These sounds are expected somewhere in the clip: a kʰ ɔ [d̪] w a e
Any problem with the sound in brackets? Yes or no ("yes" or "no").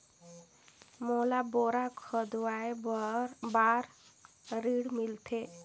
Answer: no